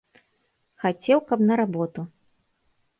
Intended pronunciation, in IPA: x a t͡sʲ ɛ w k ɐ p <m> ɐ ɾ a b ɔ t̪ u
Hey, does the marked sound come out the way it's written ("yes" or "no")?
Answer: no